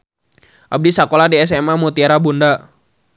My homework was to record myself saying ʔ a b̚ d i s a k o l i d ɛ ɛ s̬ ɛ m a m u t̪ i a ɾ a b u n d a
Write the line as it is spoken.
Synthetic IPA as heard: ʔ a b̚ d i s a k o l a d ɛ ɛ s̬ ɛ m a m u t̪ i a ɾ a b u n d a